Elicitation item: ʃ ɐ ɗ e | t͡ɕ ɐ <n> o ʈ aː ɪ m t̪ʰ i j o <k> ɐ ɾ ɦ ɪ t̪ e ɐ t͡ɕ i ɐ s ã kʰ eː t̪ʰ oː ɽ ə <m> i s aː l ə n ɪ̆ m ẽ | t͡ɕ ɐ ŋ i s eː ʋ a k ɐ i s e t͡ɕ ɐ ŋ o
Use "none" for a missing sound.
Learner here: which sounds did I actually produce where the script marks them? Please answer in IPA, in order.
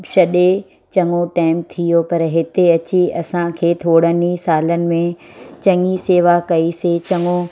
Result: ŋ, p, n

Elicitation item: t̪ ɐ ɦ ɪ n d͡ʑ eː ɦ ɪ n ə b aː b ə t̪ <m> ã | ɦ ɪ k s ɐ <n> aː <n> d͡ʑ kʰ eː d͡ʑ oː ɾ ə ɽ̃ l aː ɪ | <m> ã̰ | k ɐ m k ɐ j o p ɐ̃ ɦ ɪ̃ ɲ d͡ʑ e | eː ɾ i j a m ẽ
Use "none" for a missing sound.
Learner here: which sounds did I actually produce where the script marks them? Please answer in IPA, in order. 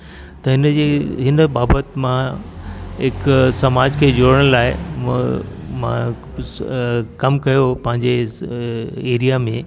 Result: m, m, none, m

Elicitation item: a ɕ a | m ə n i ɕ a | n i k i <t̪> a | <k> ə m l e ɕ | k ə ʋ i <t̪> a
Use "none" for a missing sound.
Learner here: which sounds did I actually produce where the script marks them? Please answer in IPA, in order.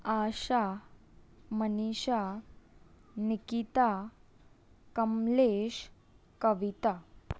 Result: t̪, k, t̪

